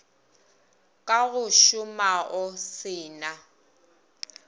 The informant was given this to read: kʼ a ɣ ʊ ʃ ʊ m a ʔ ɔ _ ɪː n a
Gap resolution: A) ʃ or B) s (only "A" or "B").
B